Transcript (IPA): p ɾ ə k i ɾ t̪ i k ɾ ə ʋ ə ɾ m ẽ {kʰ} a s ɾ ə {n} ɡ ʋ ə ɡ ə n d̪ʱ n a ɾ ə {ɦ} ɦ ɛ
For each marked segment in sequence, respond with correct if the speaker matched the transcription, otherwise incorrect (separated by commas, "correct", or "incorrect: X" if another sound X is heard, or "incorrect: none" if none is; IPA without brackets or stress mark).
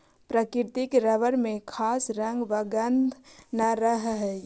correct, incorrect: ŋ, correct